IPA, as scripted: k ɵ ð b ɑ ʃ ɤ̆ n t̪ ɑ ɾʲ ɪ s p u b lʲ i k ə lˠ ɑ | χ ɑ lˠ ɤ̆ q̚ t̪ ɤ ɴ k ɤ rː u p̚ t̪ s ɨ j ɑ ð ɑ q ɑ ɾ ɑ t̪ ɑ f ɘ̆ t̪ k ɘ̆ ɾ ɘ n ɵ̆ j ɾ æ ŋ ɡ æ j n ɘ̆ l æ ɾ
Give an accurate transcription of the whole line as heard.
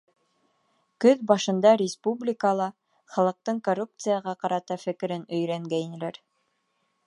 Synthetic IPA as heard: k ɵ ð b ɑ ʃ ɤ̆ n d̪ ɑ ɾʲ ɪ s p u b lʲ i k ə lˠ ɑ | χ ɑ lˠ ɤ̆ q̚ t̪ ɤ ɴ k o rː u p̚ t̪ s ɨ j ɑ ʁ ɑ q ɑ ɾ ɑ t̪ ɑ f ɘ̆ k ɘ̆ ɾ ɘ n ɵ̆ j ɾ æ ŋ ɡ æ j n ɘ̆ l æ ɾ